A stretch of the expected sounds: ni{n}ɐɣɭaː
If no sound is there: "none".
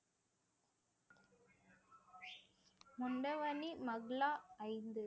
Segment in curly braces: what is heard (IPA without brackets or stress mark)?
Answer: m